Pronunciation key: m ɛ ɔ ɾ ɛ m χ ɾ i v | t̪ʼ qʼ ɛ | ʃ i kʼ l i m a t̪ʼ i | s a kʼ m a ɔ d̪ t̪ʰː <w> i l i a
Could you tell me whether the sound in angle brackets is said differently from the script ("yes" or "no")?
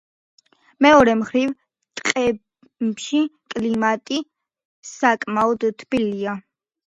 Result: yes